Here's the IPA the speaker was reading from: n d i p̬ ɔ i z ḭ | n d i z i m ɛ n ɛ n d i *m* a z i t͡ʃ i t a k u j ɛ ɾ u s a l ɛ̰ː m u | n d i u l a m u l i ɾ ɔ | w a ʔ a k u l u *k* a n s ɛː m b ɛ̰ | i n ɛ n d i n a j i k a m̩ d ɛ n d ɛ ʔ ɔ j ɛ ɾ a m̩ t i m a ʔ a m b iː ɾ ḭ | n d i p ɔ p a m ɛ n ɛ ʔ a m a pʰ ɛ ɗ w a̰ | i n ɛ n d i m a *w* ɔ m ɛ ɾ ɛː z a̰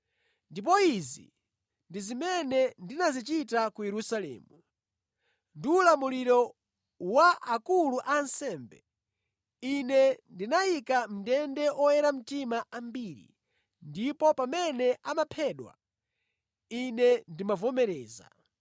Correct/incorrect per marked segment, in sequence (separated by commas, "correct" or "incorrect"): incorrect, incorrect, incorrect